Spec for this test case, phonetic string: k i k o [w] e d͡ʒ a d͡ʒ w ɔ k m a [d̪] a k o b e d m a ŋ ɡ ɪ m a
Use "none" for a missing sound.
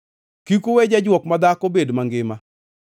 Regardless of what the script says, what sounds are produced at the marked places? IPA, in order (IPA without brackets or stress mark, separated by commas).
w, d̪